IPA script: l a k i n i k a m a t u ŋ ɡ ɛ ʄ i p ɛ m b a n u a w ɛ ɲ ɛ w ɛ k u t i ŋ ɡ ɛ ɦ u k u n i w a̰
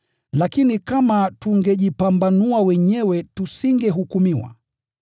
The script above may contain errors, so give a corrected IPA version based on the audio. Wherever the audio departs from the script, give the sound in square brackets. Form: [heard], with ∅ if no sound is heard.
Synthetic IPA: l a k i n i k a m a t u ŋ ɡ ɛ ʄ i p [a] m b a n u a w ɛ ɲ ɛ w ɛ [t] u [s] i ŋ ɡ ɛ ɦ u k u [m] i w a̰